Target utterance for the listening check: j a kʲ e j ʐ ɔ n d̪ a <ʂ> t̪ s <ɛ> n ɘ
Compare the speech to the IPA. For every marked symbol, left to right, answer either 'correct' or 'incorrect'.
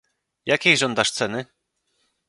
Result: correct, correct

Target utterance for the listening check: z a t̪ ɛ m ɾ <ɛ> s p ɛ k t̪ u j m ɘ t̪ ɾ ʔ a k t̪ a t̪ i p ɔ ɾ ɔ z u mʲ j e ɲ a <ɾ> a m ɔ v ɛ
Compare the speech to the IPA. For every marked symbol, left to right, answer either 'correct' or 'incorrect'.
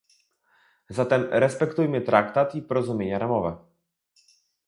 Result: correct, correct

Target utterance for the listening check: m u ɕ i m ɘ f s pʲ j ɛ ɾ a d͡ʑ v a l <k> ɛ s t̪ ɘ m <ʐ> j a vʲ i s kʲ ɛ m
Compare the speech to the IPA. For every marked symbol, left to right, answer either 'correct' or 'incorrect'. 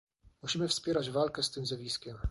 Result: correct, incorrect

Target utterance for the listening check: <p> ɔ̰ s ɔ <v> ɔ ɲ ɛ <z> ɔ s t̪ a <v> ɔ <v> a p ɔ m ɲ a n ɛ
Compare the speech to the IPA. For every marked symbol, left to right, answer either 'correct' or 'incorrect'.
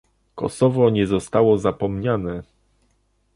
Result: incorrect, correct, correct, incorrect, incorrect

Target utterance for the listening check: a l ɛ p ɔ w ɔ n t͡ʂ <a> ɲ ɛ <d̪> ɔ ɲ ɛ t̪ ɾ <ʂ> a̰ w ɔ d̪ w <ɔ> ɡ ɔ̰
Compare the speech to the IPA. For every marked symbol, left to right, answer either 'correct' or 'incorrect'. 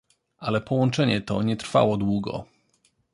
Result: incorrect, incorrect, incorrect, incorrect

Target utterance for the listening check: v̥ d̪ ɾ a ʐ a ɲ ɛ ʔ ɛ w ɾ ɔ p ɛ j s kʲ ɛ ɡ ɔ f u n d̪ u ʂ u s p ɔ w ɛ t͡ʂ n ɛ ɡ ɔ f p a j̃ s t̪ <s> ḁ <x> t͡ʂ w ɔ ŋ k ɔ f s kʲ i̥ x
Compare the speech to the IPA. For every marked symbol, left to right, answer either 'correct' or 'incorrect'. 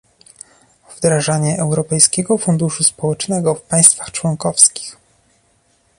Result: incorrect, correct

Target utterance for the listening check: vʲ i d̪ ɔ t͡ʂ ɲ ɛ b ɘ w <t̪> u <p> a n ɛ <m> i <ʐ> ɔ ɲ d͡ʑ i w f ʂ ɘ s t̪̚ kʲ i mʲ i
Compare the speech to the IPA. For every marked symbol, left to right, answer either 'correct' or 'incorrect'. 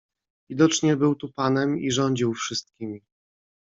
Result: correct, correct, correct, correct

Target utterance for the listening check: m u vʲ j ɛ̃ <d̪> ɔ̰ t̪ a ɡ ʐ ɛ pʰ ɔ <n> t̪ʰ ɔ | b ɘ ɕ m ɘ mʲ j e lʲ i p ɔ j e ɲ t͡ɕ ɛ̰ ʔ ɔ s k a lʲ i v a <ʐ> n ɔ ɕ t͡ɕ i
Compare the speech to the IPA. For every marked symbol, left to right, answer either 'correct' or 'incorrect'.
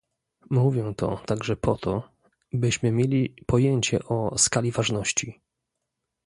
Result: incorrect, incorrect, correct

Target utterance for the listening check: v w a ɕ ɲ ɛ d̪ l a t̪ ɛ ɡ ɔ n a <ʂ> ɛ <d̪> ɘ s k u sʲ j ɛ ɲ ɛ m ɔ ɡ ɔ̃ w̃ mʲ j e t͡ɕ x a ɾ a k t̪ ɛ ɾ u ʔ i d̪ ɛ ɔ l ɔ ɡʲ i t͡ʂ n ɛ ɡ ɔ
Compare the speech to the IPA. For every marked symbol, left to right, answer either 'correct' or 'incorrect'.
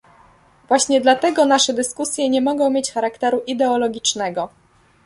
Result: correct, correct

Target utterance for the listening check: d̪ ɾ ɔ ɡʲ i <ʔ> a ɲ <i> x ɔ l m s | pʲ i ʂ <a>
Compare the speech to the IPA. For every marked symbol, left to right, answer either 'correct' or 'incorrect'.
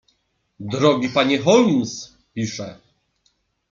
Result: incorrect, incorrect, incorrect

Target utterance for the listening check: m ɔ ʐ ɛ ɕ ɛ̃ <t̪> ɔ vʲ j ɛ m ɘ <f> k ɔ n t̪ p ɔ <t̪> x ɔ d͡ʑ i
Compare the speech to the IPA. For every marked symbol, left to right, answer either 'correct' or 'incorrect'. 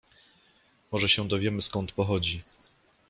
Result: incorrect, incorrect, incorrect

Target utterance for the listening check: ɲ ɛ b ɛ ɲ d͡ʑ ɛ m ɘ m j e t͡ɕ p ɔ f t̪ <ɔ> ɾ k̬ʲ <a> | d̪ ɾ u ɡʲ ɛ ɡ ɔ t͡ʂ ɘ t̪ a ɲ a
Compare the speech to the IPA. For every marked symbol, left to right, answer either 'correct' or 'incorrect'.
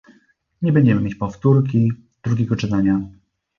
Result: incorrect, incorrect

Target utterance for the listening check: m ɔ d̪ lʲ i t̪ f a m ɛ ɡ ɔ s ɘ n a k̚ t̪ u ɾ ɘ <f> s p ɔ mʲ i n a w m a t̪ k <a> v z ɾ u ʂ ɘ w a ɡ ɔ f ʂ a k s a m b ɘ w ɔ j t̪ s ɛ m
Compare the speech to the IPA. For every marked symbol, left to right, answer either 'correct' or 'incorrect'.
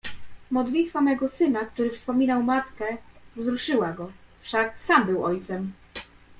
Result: correct, incorrect

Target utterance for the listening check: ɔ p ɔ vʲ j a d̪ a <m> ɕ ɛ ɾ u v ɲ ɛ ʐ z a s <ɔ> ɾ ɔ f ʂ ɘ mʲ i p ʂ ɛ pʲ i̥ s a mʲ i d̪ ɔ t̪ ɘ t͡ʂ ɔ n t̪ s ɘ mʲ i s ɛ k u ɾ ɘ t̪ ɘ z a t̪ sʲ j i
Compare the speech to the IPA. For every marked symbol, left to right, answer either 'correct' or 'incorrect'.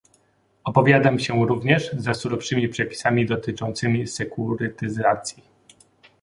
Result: correct, incorrect

